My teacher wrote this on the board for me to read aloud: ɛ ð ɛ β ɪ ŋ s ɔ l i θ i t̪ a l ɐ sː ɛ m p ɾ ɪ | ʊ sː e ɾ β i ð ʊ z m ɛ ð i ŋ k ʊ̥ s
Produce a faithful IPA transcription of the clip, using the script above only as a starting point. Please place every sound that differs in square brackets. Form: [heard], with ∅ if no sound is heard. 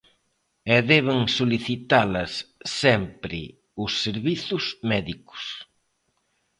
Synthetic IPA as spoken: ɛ ð ɛ β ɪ ŋ s [o] l i θ i t̪ a l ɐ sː ɛ m p ɾ ɪ | ʊ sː e ɾ β i [θ] ʊ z m ɛ ð i [∅] k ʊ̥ s